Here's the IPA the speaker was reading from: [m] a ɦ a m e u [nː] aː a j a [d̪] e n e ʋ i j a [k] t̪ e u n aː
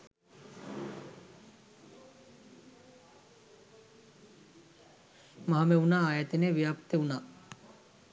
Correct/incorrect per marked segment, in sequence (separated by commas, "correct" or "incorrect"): correct, incorrect, incorrect, incorrect